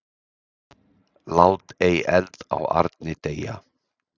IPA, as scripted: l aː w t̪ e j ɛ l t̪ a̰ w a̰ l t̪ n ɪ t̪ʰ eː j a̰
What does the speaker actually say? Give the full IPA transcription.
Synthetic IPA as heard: l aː w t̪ e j ɛ l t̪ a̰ w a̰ ɾ t̪ n ɪ t̪ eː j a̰